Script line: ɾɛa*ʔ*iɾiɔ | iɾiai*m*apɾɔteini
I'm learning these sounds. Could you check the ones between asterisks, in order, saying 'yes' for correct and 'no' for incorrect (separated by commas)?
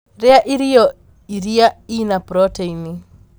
yes, no